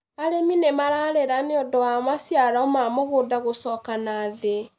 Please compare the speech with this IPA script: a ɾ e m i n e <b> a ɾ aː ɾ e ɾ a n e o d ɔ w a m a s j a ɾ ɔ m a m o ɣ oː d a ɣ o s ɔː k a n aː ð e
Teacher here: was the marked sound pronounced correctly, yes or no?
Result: no